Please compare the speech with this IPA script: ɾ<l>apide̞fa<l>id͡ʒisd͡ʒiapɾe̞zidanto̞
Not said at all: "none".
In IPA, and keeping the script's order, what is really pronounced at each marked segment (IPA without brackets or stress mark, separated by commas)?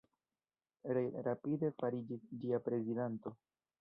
ɾ, ɾ